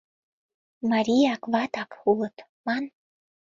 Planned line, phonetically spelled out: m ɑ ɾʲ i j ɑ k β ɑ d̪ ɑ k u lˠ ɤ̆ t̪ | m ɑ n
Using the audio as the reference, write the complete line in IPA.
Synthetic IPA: m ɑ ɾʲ i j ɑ k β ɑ t̪ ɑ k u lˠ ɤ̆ t̪ | m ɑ n